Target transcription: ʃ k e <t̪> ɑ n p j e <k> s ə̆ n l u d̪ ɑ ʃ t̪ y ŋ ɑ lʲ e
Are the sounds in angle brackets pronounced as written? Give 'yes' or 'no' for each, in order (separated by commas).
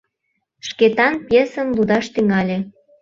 yes, no